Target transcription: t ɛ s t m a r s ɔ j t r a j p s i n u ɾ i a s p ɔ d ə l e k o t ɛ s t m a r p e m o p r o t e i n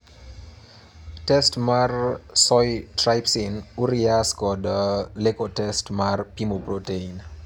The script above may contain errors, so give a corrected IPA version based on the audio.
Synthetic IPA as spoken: t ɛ s t m a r s ɔ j t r a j p s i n u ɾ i a s k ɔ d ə l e k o t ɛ s t m a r p i m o p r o t e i n

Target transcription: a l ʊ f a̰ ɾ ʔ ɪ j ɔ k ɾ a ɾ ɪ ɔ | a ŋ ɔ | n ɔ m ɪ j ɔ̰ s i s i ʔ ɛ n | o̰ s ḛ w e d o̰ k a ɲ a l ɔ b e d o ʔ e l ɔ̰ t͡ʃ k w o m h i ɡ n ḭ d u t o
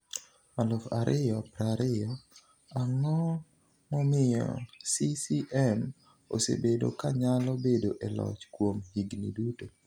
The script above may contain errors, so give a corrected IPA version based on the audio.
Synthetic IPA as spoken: a l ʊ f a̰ ɾ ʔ ɪ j ɔ p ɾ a ɾ ɪ ɔ | a ŋ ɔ | m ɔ m ɪ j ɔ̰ s i s i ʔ ɛ m | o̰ s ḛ b e d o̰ k a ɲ a l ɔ b e d o ʔ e l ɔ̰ t͡ʃ k w o m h i ɡ n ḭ d u t o

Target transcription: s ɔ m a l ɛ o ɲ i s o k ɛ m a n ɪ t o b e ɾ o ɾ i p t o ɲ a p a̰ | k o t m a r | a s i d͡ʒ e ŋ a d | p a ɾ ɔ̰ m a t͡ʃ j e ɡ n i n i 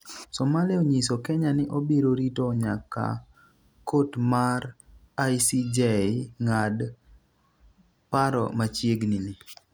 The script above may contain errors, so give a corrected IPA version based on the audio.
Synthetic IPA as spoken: s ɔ m a l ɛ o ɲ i s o k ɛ ɲ a n ɪ ʔ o b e ɾ o ɾ i t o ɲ a k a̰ | k o t m a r | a s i d͡ʒ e ŋ a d | p a ɾ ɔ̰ m a t͡ʃ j e ɡ n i n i

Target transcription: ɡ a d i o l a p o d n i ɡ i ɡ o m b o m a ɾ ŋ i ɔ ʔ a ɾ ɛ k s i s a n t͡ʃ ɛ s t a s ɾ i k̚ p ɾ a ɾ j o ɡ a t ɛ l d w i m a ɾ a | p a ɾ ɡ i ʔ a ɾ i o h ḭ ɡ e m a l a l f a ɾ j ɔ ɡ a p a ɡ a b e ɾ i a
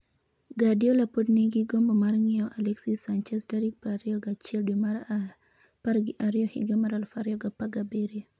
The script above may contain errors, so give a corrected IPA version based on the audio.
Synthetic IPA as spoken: ɡ a d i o l a p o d n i ɡ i ɡ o m b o m a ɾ ŋ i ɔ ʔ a l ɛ k s i s a n t͡ʃ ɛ s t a ɾ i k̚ p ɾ a ɾ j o ɡ a t͡ʃ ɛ l d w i m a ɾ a | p a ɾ ɡ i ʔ a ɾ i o h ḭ ɡ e m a ɾ a l f a ɾ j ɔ ɡ a p a ɡ a b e ɾ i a

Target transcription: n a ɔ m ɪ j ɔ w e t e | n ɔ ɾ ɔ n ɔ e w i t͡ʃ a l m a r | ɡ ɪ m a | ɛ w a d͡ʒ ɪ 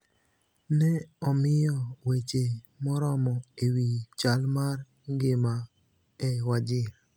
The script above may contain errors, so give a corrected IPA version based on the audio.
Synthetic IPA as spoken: n ɛ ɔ m ɪ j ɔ w e t͡ʃ e | m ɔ ɾ ɔ m ɔ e w i t͡ʃ a l m a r | ɡ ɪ m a | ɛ w a d͡ʒ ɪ

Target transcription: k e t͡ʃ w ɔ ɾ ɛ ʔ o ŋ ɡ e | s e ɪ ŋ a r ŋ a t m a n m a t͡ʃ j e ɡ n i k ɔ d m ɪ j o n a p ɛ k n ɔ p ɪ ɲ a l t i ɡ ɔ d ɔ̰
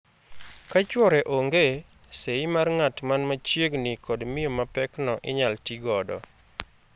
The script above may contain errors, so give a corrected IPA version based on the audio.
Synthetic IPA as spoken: k a t͡ʃ w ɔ ɾ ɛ ʔ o ŋ ɡ e | s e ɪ m a r ŋ a t m a n m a t͡ʃ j e ɡ n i k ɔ d m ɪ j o m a p ɛ k n ɔ ʔ ɪ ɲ a l t i ɡ ɔ d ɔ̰

